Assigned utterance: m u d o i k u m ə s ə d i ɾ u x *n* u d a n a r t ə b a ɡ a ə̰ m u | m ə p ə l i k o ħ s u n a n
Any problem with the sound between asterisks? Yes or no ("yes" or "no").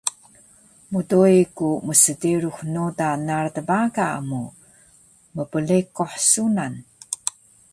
no